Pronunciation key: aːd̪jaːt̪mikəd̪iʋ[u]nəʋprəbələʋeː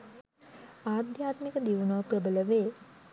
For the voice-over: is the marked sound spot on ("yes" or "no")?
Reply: yes